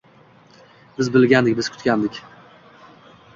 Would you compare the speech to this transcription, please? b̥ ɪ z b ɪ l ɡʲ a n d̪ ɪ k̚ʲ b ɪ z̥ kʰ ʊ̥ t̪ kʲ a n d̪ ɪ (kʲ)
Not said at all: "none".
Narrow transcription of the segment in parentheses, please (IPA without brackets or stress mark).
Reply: kʲ